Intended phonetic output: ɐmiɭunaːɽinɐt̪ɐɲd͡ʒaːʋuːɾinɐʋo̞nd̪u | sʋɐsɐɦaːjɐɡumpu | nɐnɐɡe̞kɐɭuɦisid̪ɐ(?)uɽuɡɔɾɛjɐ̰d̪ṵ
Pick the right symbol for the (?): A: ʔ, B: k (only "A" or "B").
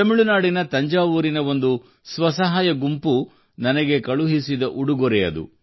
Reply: A